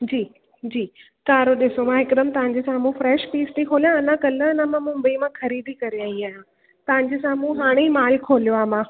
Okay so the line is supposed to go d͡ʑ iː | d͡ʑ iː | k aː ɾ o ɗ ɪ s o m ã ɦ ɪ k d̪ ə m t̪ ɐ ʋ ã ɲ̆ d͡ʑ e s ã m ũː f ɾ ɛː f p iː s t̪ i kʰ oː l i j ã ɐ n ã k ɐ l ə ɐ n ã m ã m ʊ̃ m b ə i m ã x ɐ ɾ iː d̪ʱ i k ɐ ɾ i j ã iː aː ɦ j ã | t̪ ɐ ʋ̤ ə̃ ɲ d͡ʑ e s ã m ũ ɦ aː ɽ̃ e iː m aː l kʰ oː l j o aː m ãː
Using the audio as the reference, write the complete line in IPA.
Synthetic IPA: d͡ʑ iː | d͡ʑ iː | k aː ɾ o ɗ ɪ s o m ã ɦ ɪ k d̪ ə m t̪ ɐ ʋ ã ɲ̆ d͡ʑ e s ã m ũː f ɾ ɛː ʃ p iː s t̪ i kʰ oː l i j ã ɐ n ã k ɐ l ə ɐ n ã m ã m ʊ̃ m b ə i m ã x ɐ ɾ iː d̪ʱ i k ɐ ɾ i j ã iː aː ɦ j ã | t̪ ɐ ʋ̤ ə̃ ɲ d͡ʑ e s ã m ũ ɦ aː ɽ̃ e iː m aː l kʰ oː l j o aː m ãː

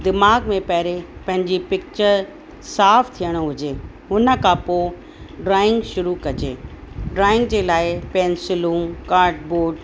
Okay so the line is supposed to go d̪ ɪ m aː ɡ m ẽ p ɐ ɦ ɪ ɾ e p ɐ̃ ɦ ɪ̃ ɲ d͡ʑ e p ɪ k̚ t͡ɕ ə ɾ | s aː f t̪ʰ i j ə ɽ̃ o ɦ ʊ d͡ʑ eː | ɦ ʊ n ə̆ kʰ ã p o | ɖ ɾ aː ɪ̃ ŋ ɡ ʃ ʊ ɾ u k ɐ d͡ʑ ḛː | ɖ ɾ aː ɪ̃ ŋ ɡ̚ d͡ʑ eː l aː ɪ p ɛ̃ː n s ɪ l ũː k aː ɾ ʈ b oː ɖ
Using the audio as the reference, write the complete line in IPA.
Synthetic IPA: d̪ ɪ m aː ɡ m ẽ p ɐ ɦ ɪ ɾ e p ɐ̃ ɦ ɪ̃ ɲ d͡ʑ i p ɪ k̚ t͡ɕ ə ɾ | s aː f t̪ʰ i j ə ɽ̃ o ɦ ʊ d͡ʑ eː | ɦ ʊ n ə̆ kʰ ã p o | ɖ ɾ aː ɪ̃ ŋ ɡ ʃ ʊ ɾ u k ɐ d͡ʑ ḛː | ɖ ɾ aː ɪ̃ ŋ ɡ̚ d͡ʑ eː l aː ɪ p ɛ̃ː n s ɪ l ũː k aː ɾ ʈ b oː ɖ

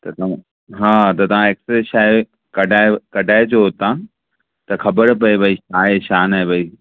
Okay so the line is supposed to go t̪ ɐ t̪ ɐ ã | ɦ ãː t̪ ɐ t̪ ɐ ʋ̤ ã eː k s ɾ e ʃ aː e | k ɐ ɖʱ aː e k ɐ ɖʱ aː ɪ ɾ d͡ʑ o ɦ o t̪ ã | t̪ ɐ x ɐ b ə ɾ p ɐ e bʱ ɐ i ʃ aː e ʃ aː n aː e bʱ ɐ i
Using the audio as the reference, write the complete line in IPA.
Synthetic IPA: t̪ ɐ t̪ ɐ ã | ɦ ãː t̪ ɐ t̪ ɐ ʋ̤ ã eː k s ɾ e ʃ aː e | k ɐ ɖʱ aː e k ɐ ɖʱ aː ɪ d͡ʑ o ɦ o t̪ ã | t̪ ɐ x ɐ b ə ɾ p ɐ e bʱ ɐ i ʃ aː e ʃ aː n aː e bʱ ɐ i

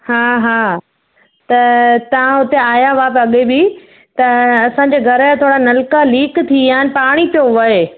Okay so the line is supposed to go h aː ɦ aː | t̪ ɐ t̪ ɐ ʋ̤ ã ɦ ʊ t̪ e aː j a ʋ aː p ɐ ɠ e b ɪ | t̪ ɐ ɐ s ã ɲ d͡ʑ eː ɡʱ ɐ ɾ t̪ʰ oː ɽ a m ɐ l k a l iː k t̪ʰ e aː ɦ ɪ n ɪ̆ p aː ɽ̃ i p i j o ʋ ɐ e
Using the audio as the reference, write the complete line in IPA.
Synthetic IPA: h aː ɦ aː | t̪ ɐ t̪ ɐ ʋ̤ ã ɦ ʊ t̪ e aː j a ʋ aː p ɐ ɠ e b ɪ | t̪ ɐ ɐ s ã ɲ d͡ʑ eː ɡʱ ɐ ɾ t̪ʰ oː ɽ a n ɐ l k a l iː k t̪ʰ i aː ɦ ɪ n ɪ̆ p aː ɽ̃ i p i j o ʋ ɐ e

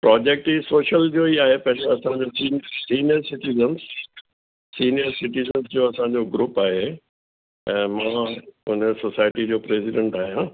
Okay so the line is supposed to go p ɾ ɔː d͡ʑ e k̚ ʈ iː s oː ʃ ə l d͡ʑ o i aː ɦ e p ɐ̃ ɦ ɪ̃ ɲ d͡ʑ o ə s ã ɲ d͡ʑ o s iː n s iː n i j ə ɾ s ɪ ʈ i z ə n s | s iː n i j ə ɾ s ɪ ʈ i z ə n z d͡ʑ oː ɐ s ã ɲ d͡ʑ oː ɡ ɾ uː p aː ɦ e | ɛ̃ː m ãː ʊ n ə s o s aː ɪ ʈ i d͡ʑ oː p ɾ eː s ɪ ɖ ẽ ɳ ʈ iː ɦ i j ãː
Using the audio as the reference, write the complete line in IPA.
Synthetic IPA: p ɾ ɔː d͡ʑ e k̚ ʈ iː s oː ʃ ə l d͡ʑ o i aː ɦ e p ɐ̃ ɦ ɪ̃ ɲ d͡ʑ o ɐ s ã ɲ d͡ʑ o s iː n s iː n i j ə ɾ s ɪ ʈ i z ə n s | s iː n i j ə ɾ s ɪ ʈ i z ə n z d͡ʑ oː ɐ s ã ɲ d͡ʑ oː ɡ ɾ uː p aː ɦ e | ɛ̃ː m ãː ʊ n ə s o s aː ɪ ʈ i d͡ʑ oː p ɾ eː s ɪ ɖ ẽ ɳ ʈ aː ɦ i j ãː

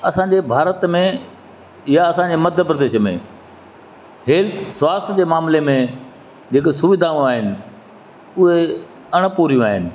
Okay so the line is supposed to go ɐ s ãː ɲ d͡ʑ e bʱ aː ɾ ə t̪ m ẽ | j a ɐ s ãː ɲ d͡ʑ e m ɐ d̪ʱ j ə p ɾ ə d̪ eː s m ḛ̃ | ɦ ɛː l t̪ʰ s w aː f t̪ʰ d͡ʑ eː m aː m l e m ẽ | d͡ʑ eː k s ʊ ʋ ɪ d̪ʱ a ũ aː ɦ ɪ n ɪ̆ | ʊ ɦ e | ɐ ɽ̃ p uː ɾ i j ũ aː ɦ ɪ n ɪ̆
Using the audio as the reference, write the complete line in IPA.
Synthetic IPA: ɐ s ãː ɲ d͡ʑ e bʱ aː ɾ ə t̪ m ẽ | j a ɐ s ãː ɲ d͡ʑ e m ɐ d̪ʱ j ə p ɾ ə d̪ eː ʃ m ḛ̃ | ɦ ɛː l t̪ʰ s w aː s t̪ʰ d͡ʑ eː m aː m l e m ẽ | d͡ʑ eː k s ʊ ʋ ɪ d̪ʱ a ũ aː ɦ ɪ n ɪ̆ | ʊ ɦ e | ɐ ɽ̃ p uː ɾ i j ũ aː ɦ ɪ n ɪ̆

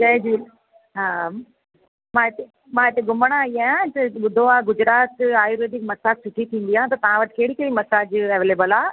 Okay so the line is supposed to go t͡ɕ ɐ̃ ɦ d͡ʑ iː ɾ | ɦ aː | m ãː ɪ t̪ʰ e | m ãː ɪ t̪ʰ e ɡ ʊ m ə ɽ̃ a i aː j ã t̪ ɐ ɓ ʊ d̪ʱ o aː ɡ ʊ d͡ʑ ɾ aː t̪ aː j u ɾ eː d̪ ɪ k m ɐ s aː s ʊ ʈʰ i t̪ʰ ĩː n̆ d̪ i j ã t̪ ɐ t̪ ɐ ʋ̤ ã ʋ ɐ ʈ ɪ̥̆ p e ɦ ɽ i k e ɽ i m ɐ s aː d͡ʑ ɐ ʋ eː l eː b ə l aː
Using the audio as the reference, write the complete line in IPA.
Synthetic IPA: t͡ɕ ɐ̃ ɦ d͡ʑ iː | ɦ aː | m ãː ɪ t̪ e | m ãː ɪ t̪ e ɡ ʊ m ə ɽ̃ a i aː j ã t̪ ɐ ɓ ʊ d̪ʱ o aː ɡ ʊ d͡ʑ ɾ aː t̪ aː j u ɾ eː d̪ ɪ k m ɐ s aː s ʊ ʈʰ i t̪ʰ ĩː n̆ d̪ i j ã t̪ ɐ t̪ ɐ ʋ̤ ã ʋ ɐ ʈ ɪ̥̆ k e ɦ ɽ i k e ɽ i m ɐ s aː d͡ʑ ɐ ʋ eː l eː b ə l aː

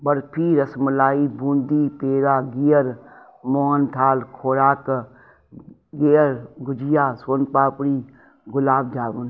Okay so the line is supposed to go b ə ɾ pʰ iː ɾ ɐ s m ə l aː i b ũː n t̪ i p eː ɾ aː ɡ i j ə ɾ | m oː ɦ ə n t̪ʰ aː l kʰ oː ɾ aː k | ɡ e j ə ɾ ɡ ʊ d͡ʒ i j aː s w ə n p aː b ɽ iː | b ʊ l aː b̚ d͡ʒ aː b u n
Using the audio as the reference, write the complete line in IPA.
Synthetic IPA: b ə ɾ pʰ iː ɾ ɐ s m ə l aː i b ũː n d̪ i p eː ɾ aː ɡ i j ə ɾ | m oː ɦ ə n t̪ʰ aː l kʰ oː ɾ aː k | ɡ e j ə ɾ ɡ ʊ d͡ʒ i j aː s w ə n p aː p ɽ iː | ɡ ʊ l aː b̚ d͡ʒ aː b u n

